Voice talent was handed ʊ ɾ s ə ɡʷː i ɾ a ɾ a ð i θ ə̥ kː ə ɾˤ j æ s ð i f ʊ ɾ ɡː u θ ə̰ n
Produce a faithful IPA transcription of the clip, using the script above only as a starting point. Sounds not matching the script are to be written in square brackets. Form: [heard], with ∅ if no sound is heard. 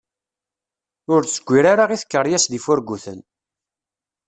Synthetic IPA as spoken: ʊ ɾ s ə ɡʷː i ɾ a ɾ a [ʁ] i θ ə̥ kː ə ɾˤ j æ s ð i f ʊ ɾ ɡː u θ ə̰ n

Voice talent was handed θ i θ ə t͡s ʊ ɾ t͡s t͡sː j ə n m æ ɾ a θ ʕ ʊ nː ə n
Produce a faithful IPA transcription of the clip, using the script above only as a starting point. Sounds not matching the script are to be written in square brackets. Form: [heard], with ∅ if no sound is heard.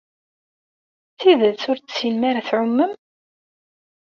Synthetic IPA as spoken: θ i [ð] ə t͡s ʊ ɾ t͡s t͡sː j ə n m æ ɾ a θ ʕ ʊ [mː] ə [m]

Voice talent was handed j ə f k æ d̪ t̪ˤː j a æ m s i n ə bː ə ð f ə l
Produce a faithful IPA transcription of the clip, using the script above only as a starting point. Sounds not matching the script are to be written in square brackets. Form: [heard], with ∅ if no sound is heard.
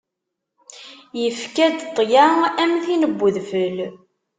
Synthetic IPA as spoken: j ə f k æ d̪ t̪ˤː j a æ m [θ] i n ə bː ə ð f ə l

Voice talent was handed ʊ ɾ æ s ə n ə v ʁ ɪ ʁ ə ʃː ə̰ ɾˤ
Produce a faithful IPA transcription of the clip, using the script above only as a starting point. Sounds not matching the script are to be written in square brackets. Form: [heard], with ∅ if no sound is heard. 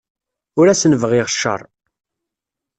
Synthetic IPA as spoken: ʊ ɾ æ s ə n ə v ʁ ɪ ʁ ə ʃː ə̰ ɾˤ

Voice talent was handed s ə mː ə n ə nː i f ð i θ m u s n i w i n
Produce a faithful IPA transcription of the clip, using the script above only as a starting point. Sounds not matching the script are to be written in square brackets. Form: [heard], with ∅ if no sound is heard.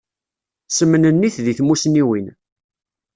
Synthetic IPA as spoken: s ə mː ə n ə nː i [θ] ð i θ m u s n i w i n

